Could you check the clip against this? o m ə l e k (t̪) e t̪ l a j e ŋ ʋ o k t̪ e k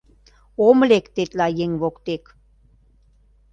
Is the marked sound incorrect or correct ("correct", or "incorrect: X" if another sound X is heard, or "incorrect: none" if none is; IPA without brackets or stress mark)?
correct